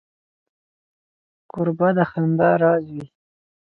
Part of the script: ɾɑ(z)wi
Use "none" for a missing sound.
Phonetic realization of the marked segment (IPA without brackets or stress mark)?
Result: z